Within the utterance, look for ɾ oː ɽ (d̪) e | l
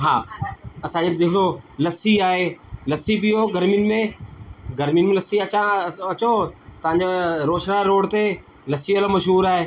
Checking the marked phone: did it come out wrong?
yes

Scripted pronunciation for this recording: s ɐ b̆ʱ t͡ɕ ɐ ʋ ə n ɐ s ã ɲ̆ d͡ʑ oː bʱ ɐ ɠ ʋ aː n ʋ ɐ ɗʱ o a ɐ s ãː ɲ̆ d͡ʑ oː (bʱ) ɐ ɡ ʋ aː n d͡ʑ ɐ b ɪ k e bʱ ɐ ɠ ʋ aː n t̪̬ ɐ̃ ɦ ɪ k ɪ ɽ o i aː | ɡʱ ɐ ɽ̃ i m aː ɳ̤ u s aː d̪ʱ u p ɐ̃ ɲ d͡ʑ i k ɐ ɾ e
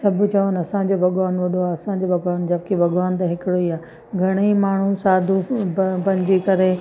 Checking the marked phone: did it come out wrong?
no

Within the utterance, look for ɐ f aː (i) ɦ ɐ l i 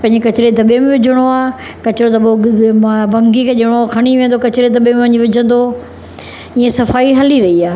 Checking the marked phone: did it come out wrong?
no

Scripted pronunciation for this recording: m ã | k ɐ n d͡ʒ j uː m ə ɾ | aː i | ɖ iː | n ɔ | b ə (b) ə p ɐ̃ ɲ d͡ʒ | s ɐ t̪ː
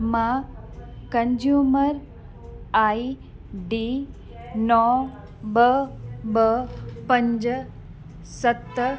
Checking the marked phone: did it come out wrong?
no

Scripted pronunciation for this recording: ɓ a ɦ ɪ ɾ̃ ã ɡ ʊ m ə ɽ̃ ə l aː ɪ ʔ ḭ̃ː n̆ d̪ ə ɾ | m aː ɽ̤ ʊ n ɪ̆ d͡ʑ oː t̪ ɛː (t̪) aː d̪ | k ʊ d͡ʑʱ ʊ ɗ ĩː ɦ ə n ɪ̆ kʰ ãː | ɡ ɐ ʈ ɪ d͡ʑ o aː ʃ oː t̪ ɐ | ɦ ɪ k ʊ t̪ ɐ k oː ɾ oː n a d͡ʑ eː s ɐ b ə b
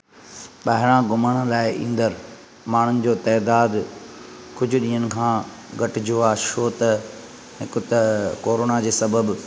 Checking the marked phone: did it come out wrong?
yes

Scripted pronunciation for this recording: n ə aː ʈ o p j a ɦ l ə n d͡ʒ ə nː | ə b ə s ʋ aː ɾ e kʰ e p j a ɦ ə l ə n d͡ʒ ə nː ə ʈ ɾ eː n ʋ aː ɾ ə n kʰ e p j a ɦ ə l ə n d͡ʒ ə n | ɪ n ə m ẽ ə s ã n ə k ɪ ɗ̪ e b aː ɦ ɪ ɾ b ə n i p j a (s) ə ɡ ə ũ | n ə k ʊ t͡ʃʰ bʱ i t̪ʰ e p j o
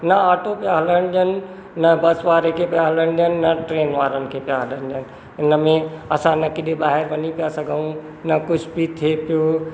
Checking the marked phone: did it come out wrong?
no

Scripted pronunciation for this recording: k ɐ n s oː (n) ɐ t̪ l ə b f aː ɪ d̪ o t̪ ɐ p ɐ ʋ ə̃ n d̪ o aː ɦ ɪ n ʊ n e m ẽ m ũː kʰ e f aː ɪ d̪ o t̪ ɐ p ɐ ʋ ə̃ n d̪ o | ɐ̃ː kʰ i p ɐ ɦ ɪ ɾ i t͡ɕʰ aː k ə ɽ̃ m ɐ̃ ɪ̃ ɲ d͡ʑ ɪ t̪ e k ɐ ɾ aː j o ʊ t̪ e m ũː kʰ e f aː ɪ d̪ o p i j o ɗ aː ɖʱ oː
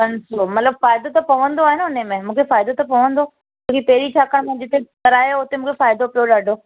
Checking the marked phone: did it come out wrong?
yes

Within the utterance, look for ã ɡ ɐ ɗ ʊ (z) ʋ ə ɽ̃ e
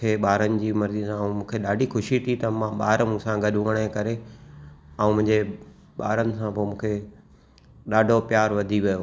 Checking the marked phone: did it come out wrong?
yes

